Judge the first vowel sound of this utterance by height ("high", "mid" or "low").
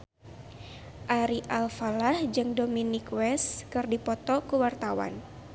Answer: low